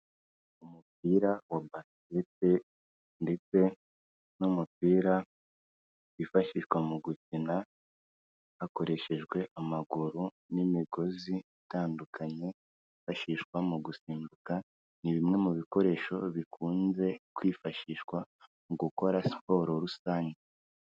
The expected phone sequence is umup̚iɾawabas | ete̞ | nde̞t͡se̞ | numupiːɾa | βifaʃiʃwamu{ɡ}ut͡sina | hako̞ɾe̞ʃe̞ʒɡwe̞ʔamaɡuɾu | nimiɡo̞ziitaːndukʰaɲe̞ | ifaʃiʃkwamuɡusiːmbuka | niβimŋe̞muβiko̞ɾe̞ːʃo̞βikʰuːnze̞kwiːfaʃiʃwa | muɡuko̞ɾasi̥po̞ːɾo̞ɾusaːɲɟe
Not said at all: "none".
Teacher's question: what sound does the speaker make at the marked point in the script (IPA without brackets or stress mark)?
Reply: ɡ